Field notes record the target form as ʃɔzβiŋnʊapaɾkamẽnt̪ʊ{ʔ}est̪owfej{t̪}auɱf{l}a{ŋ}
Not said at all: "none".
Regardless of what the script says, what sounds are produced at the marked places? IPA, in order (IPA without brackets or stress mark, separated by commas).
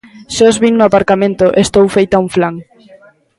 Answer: ʔ, t̪, l, ŋ